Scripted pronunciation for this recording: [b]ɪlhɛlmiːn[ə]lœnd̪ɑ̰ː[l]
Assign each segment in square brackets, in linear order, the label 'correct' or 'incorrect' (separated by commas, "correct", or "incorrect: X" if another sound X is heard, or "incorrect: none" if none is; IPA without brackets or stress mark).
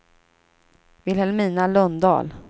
incorrect: v, incorrect: a, correct